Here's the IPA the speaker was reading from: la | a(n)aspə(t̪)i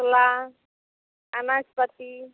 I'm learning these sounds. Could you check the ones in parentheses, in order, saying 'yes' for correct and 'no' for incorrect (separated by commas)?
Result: yes, yes